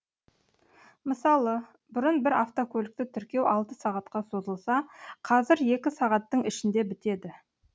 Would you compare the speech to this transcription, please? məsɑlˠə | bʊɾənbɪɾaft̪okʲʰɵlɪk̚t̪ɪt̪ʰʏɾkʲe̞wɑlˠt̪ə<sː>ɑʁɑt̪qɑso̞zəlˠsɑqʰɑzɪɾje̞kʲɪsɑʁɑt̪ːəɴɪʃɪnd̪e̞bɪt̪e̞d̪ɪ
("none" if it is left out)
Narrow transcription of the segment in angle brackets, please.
s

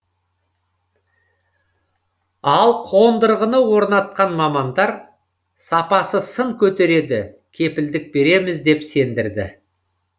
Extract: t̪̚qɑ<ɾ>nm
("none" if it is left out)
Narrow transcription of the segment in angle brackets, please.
none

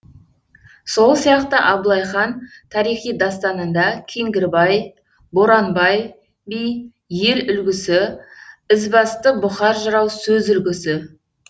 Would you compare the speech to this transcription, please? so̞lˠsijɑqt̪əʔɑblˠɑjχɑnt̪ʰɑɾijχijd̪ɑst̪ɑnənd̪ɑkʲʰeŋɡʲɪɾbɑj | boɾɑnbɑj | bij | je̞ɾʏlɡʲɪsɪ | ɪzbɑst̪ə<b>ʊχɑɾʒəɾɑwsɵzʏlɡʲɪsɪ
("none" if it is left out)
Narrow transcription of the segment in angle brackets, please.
b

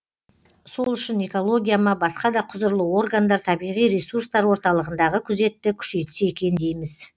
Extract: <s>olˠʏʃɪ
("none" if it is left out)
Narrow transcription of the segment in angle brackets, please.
s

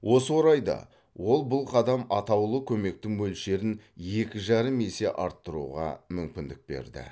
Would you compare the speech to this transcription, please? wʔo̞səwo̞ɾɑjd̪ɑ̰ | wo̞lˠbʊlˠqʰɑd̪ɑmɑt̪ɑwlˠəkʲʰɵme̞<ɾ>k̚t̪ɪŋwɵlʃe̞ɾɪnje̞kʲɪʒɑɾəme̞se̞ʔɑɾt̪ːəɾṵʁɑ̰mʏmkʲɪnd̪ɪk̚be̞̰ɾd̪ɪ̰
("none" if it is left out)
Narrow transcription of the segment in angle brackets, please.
none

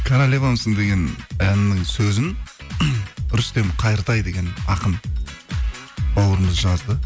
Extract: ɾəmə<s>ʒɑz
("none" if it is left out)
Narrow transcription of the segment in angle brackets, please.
z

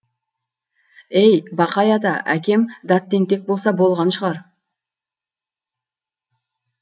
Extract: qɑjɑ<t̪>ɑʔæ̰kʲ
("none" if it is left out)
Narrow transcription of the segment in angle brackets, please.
d̪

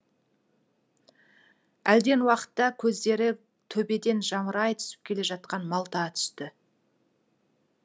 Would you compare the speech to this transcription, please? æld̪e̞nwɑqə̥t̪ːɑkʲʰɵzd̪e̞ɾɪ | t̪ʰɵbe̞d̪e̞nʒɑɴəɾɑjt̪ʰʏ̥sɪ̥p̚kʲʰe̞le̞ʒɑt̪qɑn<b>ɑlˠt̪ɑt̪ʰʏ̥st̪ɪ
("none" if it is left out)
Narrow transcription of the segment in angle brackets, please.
m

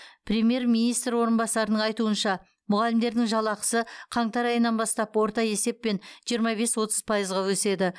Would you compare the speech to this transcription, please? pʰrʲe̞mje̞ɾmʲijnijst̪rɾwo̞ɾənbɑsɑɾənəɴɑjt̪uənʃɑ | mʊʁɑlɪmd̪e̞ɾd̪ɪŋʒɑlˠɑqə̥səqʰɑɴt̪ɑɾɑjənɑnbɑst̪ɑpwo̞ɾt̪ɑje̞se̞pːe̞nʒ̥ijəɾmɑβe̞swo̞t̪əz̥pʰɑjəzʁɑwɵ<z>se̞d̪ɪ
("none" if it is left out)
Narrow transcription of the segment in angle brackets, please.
none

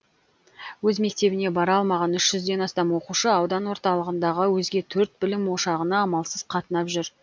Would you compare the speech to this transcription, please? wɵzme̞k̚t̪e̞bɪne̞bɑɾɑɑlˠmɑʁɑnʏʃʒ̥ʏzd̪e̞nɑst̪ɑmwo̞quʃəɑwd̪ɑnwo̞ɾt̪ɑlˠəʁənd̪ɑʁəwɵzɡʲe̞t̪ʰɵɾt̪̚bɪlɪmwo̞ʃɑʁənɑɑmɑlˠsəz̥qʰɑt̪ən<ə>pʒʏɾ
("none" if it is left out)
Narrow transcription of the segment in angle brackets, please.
ɑ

